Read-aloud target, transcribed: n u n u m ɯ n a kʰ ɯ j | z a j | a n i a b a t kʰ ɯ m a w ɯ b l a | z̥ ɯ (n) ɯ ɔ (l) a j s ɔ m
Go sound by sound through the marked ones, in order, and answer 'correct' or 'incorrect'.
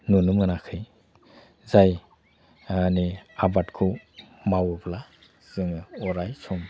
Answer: incorrect: ŋ, incorrect: ɾ

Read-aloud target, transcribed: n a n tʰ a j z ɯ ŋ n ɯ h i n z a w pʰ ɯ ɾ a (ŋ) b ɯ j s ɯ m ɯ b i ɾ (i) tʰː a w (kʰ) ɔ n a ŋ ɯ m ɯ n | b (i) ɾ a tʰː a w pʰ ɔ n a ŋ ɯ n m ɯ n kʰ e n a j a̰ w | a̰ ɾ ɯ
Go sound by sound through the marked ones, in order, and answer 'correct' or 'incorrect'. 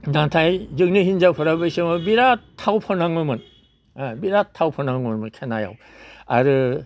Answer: incorrect: none, incorrect: a, incorrect: pʰ, correct

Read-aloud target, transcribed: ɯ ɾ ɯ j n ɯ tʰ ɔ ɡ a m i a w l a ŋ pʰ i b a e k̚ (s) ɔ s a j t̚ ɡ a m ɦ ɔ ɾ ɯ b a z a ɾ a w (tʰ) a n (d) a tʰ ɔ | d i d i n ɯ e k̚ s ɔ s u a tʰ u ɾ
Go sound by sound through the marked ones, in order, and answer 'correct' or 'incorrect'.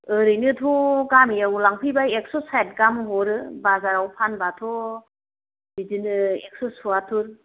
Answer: correct, incorrect: pʰ, incorrect: b

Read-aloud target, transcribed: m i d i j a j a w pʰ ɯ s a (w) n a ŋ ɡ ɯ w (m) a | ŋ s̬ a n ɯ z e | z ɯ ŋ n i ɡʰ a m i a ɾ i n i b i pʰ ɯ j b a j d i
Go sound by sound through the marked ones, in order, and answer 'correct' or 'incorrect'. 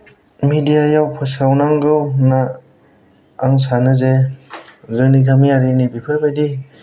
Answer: correct, incorrect: n

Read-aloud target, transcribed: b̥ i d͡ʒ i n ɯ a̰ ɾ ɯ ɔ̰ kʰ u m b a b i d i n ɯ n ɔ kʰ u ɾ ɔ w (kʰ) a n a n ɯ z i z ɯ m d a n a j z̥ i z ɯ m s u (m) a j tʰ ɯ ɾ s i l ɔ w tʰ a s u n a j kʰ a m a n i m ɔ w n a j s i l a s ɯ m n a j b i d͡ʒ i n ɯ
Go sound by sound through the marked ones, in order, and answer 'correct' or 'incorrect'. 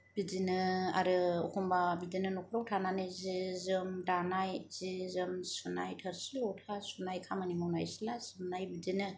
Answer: incorrect: tʰ, incorrect: n

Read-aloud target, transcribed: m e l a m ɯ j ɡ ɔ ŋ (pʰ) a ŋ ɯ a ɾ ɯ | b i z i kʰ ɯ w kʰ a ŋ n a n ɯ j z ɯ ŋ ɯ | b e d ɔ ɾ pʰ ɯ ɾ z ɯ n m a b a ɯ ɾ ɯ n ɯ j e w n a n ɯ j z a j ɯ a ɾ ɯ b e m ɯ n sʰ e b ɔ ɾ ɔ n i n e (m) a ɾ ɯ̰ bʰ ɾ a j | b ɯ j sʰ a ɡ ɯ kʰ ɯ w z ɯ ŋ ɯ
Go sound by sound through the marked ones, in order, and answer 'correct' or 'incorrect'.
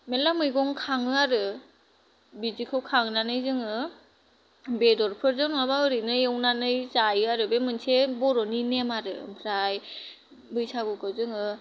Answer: incorrect: kʰ, correct

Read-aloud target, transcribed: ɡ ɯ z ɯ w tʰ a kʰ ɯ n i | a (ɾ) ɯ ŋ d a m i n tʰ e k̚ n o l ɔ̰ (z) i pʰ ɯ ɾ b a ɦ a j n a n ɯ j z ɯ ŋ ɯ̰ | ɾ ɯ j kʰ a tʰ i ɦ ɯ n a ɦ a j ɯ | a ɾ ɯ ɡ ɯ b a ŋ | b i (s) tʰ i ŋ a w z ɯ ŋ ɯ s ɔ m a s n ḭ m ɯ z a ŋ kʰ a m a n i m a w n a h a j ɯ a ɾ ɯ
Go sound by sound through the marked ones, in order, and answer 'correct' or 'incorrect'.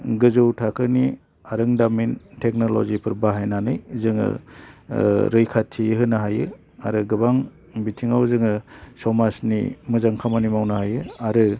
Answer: correct, correct, incorrect: none

